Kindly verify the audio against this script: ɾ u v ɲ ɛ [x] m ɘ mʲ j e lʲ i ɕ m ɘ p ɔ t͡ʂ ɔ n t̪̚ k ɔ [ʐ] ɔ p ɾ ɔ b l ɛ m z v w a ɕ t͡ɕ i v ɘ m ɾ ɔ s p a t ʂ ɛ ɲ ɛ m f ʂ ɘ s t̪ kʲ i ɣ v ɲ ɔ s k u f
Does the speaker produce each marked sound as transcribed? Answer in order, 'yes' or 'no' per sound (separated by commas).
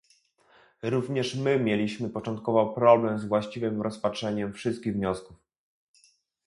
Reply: no, no